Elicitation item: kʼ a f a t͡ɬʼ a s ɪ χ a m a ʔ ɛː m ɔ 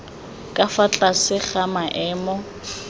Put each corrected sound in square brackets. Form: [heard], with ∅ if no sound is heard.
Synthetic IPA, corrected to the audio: kʼ a f a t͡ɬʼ a s ɪ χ a m a ʔ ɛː m ɔ